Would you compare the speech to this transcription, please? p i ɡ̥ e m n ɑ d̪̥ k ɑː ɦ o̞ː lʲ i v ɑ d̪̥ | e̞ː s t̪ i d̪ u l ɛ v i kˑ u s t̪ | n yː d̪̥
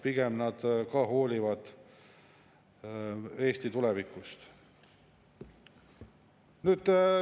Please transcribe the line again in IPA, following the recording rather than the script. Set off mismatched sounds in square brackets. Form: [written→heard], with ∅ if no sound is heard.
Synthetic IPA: p i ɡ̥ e m n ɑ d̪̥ k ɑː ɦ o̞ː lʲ i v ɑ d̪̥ | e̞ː s t̪ i [d̪→t̪] u l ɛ v i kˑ u s t̪ | n yː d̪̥

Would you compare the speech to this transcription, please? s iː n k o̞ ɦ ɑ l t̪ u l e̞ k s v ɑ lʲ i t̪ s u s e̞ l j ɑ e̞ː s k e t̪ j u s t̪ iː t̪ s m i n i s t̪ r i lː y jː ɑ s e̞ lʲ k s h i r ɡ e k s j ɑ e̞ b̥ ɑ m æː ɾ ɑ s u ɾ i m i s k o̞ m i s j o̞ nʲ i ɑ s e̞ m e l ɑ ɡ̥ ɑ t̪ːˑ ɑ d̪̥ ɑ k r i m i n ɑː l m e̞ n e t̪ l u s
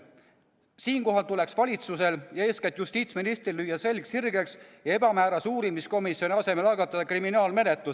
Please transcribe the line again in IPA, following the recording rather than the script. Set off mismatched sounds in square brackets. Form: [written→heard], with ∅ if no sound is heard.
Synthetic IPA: s iː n k o̞ ɦ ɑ l t̪ u l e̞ k s v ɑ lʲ i t̪ s u s e̞ l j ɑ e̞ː s k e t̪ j u s t̪ iː t̪ s m i n i s t̪ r i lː y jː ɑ s e̞ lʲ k s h i r ɡ e k s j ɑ e̞ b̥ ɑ m æː ɾ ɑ s [u→uː] ɾ i m i s k o̞ m i s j o̞ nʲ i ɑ s e̞ m e l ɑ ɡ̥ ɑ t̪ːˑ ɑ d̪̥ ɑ k r i m i n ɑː l m e̞ n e t̪ l u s

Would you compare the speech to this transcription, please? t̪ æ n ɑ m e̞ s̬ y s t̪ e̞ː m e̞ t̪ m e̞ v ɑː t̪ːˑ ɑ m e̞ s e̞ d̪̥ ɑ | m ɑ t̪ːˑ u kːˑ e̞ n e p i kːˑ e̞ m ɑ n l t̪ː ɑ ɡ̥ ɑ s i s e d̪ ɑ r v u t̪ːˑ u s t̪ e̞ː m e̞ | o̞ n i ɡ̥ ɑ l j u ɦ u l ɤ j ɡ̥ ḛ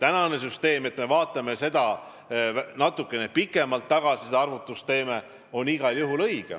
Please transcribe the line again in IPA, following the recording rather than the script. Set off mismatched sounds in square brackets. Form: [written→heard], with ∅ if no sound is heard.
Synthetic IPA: t̪ æ n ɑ [m→n] e̞ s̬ y s t̪ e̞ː m e̞ t̪ m e̞ v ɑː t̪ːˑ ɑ m e̞ s e̞ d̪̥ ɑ | [m→n] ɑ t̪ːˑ u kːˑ e̞ n e p i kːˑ e̞ m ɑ [n→∅] l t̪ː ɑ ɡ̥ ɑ s i s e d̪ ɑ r v u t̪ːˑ u s t̪ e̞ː m e̞ | o̞ n i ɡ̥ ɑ l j u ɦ u l ɤ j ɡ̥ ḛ

